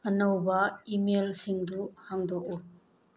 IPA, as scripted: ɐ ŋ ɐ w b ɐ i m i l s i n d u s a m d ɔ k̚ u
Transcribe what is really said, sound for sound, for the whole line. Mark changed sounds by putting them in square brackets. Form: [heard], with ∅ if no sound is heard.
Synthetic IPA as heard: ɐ [n] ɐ w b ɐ i m [e] l s i [ŋ] d u [h] a [ŋ] d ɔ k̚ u